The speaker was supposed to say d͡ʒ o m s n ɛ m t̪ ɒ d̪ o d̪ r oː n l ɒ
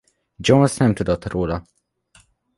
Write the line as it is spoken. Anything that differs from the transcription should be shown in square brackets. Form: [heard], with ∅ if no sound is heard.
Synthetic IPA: d͡ʒ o [n] s n ɛ m t̪ [u] d̪ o [t̪] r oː [∅] l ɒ